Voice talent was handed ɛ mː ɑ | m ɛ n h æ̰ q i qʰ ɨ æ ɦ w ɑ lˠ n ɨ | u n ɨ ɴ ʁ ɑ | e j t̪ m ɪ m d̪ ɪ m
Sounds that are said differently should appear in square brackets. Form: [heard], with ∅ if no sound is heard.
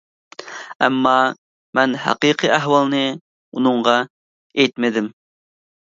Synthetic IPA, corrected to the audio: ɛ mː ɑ | m ɛ n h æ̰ q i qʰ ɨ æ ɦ w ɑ lˠ n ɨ | u n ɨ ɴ ʁ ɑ | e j t̪ m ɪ [∅] d̪ ɪ m